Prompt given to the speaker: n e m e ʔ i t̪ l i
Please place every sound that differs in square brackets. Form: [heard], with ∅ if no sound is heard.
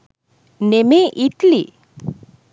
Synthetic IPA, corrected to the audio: n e m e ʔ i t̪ l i